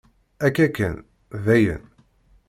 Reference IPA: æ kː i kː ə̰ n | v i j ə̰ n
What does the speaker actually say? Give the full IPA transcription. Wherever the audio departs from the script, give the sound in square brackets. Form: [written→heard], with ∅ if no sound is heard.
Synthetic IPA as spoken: æ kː [i→æ] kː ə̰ n | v [i→æ] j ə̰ n